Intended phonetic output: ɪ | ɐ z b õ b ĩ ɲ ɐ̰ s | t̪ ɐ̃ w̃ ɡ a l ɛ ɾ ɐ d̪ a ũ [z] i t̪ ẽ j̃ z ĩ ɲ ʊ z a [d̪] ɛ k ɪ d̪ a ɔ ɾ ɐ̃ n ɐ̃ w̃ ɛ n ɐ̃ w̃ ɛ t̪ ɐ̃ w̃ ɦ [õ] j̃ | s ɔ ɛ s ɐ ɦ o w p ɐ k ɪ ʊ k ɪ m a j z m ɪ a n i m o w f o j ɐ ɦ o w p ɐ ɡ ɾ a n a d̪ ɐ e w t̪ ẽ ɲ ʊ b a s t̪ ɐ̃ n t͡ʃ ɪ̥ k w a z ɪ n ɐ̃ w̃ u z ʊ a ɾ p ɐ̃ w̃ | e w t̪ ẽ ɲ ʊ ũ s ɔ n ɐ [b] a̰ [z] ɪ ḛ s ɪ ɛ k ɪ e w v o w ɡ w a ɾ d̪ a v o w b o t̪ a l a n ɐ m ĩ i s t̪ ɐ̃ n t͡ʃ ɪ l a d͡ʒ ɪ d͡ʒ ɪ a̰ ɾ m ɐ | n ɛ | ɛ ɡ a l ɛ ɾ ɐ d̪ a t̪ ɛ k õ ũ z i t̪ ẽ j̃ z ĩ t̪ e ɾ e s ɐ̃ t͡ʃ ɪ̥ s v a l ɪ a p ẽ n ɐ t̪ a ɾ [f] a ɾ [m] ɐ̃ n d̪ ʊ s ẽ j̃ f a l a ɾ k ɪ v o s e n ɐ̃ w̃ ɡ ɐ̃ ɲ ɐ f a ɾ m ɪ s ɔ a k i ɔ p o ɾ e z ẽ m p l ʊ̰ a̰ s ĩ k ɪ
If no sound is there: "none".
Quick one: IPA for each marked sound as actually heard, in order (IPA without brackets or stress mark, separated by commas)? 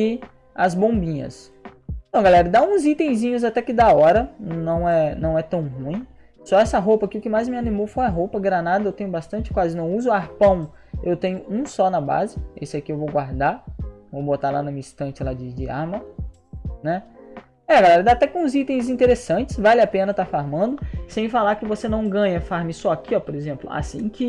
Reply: z, t̪, ũ, b, z, f, m